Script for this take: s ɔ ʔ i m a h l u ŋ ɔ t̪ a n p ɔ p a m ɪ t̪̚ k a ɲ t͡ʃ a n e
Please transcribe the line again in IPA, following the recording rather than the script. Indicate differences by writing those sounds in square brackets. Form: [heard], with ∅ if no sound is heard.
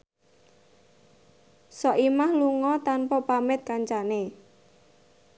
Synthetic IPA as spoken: s ɔ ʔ i m a h l u ŋ ɔ t̪ a n p ɔ p a m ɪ t̪̚ k a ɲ t͡ʃ a n e